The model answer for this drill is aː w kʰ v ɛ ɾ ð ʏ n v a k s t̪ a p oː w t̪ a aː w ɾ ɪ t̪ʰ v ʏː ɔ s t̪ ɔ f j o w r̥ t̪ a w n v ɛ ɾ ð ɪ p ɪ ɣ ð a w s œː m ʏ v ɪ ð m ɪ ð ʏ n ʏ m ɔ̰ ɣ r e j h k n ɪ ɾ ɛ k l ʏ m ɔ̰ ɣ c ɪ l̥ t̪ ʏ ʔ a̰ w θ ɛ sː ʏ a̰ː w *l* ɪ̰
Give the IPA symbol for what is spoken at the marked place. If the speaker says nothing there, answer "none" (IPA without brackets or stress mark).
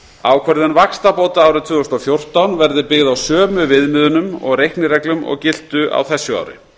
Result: ɾ